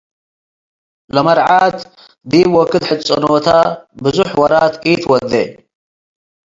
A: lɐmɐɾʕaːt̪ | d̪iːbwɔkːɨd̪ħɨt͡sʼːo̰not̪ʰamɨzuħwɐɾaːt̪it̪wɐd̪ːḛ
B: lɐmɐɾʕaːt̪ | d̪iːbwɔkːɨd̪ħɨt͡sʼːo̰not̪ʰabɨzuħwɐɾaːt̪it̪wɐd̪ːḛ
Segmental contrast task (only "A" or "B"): B